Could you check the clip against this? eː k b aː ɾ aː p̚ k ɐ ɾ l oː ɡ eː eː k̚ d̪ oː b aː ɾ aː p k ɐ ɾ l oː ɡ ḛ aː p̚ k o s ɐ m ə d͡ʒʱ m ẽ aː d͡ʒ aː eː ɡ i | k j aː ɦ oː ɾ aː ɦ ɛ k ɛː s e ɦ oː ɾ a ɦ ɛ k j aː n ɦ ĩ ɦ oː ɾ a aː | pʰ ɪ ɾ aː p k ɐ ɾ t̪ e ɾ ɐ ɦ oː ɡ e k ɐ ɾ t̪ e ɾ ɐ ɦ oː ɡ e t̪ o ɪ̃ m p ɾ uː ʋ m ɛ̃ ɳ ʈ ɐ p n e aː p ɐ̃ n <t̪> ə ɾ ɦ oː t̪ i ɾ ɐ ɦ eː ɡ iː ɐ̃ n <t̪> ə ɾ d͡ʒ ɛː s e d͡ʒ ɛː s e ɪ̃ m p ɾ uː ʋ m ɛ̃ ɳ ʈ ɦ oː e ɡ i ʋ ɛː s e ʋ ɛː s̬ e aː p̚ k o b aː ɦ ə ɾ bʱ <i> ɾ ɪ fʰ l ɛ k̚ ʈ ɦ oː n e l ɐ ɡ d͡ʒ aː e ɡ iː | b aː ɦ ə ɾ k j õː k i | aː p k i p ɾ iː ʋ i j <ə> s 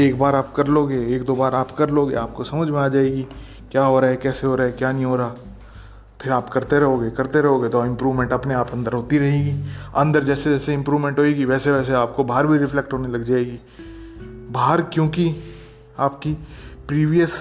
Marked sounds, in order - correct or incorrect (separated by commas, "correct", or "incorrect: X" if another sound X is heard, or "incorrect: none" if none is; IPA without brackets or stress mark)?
incorrect: d̪, incorrect: d̪, correct, correct